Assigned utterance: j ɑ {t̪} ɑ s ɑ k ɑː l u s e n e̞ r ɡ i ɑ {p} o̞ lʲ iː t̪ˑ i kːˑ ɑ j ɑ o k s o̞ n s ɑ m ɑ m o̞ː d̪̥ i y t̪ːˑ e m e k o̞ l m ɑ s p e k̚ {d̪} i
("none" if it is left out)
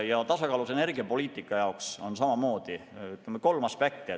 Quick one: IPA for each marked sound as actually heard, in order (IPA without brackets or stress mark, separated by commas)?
t̪, p, t̪